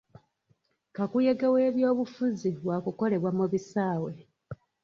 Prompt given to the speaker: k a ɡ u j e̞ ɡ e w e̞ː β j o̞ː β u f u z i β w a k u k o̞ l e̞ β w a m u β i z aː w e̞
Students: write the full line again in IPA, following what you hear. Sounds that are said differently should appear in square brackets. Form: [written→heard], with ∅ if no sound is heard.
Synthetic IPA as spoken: k a [ɡ→k] u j e̞ ɡ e w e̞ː β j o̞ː β u f u z i β w a k u k o̞ l e̞ β w a m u β i [z→s] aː w e̞